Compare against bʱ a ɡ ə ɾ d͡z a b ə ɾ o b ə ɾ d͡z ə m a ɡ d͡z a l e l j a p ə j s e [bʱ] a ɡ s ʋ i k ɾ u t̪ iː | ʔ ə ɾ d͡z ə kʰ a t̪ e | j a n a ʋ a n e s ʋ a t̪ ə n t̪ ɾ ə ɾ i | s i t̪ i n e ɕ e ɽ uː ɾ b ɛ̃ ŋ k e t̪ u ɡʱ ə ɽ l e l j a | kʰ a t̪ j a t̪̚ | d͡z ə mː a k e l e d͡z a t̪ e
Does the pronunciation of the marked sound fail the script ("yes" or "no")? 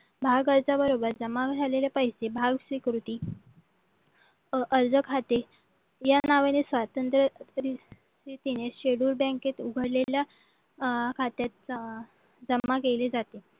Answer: no